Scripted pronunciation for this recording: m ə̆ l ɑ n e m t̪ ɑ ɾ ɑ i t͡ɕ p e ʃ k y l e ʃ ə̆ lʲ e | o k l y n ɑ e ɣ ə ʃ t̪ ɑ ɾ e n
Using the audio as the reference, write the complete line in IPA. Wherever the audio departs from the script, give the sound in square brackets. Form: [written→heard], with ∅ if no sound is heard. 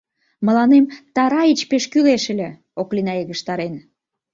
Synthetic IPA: m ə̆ l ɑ n e m t̪ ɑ ɾ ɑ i t͡ɕ p e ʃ k y l e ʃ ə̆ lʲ e | o k l [y→i] n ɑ e ɣ ə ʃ t̪ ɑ ɾ e n